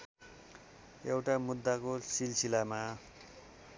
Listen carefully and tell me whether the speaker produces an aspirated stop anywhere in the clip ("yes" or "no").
no